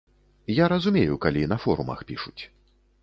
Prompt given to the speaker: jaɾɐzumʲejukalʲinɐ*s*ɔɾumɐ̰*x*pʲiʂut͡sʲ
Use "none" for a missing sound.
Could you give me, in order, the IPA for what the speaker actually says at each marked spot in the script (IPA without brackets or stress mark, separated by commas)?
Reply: f, x